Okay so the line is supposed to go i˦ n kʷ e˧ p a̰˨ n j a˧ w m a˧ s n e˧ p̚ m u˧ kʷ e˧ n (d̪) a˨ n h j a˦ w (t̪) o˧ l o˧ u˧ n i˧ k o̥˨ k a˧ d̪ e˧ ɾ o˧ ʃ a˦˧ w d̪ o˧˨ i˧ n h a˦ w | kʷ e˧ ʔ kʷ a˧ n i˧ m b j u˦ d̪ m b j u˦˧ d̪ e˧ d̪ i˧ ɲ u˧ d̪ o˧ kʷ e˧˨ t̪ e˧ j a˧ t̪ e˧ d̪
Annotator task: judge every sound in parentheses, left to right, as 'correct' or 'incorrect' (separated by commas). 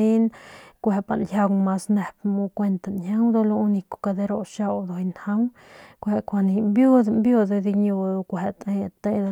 incorrect, incorrect